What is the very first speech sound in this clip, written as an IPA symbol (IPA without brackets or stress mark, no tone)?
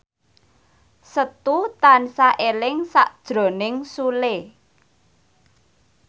s